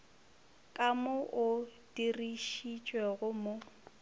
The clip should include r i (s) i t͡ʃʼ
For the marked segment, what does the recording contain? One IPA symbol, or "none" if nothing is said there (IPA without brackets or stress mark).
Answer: ʃ